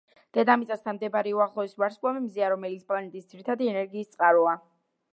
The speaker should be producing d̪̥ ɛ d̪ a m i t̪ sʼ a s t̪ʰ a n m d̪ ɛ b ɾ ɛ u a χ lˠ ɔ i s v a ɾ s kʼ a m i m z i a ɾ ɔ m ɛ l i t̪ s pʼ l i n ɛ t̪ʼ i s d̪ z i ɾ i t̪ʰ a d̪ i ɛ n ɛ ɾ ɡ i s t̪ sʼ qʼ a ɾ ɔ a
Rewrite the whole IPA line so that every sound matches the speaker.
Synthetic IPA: d̪̥ ɛ d̪ a m i t̪ sʼ a s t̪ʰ a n m d̪ ɛ b ɾ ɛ u a χ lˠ ɔ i s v a ɾ s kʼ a m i m z i a ɾ ɔ m ɛ l i t̪ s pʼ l a n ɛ t̪ʼ i s d̪ z i ɾ i t̪ʰ a d̪ i ɛ n ɛ ɾ ɡ iː s t̪ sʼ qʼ a ɾ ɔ a